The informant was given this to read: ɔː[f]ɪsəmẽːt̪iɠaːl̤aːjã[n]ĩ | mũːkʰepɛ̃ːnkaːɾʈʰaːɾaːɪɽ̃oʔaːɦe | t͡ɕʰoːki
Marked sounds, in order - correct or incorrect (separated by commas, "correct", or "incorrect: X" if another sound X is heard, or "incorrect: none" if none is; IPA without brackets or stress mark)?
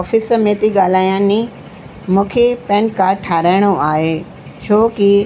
correct, correct